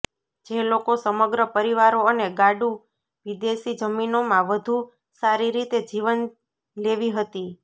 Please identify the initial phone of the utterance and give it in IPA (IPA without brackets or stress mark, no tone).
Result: d͡ʒ